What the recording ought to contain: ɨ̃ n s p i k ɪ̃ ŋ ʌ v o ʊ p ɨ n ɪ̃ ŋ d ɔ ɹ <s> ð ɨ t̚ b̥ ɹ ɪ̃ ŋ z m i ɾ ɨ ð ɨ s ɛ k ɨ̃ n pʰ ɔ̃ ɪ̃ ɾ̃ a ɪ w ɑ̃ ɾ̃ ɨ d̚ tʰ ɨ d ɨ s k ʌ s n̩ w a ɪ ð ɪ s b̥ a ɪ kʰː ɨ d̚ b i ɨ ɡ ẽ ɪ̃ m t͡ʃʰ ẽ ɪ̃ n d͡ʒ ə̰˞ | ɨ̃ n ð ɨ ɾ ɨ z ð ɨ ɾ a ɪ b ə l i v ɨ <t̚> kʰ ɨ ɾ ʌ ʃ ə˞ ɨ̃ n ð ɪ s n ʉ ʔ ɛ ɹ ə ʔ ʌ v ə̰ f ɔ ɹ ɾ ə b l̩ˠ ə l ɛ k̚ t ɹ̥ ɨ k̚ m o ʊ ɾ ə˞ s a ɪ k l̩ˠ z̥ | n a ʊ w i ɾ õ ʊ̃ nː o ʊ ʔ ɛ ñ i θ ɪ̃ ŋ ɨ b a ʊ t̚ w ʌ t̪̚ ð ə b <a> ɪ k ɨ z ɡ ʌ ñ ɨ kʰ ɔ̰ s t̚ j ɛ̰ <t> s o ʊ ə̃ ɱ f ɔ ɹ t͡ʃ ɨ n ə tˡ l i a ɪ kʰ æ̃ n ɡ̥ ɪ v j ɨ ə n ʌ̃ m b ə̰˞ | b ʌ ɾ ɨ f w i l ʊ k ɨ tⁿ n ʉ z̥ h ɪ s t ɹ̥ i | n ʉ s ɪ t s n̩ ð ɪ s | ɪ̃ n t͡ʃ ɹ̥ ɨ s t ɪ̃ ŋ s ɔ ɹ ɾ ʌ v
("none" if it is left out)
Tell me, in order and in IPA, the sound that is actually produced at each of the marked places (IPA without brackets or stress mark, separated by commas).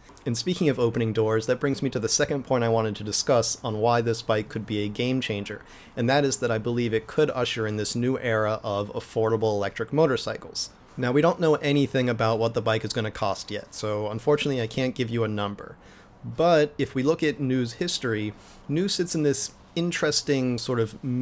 z, t̚, a, t